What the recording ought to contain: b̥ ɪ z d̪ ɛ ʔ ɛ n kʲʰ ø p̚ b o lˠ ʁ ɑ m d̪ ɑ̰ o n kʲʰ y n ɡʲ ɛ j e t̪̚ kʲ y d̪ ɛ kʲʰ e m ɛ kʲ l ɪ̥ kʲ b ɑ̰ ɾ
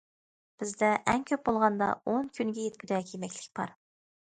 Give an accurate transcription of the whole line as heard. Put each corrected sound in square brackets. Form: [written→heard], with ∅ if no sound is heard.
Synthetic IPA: b̥ ɪ z d̪ ɛ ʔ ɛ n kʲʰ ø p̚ b o lˠ ʁ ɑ [m→n] d̪ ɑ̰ o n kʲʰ y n ɡʲ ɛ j e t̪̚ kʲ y d̪ ɛ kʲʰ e m ɛ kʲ l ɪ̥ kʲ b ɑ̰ ɾ